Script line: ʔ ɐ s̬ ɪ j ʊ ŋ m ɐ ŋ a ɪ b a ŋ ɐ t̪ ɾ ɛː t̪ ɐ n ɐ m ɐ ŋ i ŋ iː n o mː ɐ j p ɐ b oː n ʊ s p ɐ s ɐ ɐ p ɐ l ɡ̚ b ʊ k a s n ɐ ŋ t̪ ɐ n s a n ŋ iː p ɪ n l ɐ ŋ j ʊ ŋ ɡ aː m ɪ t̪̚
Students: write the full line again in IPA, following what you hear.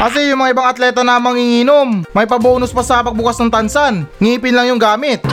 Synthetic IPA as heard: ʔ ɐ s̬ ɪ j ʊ ŋ m ɐ ŋ a ɪ b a ŋ ɐ t̪ l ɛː t̪ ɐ n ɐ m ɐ ŋ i ŋ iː n o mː ɐ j p ɐ b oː n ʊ s p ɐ s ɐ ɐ p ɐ ɡ̚ b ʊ k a s n ɐ ŋ t̪ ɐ n s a n ŋ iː p ɪ n l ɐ ŋ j ʊ ŋ ɡ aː m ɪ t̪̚